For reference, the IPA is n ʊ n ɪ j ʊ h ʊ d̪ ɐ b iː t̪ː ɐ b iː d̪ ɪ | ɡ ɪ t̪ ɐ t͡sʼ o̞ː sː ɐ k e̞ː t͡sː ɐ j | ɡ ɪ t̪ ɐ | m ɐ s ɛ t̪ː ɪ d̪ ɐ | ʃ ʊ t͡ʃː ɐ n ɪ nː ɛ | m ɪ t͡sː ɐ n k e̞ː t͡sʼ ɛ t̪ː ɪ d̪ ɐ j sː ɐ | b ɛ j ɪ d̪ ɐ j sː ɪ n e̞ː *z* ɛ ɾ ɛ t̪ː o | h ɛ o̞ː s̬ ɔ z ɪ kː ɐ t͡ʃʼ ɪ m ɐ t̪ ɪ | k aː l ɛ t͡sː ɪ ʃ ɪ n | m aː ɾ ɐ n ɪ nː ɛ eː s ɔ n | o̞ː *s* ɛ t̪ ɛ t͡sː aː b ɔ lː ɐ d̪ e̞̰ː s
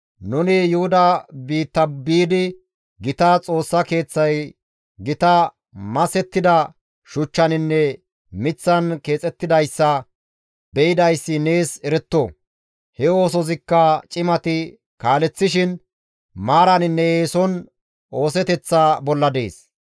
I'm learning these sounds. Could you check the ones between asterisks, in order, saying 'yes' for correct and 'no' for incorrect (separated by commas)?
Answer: no, yes